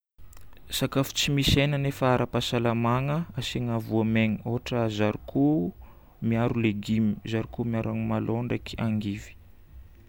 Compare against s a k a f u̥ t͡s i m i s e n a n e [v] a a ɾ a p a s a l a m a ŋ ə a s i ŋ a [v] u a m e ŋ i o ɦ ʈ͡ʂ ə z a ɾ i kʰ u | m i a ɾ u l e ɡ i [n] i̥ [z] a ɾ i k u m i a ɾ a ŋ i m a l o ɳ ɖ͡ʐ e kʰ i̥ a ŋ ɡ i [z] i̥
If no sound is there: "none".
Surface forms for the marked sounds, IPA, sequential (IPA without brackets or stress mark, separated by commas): f, v, m, z, v